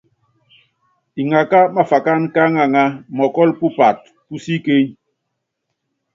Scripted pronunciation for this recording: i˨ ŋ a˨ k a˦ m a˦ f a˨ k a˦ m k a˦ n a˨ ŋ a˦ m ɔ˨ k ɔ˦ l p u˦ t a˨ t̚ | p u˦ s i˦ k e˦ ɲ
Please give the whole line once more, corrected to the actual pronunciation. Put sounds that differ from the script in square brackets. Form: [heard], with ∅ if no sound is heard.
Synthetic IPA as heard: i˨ ŋ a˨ k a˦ m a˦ f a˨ k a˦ [n] k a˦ [ŋ] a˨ ŋ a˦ m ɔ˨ k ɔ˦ l p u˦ [p] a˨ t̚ | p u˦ s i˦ k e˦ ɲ